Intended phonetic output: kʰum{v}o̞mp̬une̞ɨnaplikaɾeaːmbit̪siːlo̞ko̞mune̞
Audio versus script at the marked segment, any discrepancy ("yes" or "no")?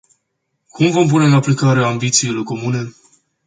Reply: no